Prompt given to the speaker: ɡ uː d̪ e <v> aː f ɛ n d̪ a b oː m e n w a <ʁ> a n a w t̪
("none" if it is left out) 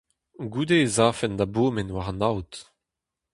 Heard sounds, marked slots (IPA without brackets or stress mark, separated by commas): z, ʁ